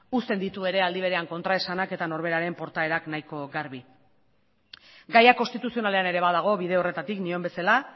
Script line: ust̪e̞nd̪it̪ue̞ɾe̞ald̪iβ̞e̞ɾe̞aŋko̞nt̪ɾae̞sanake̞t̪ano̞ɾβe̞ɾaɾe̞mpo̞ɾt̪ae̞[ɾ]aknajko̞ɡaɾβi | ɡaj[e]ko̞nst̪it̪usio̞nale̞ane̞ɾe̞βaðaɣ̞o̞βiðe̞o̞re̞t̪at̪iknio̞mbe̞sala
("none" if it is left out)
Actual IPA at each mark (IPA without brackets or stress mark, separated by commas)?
ɾ, a